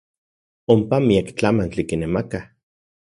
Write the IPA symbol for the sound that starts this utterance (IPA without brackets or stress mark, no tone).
o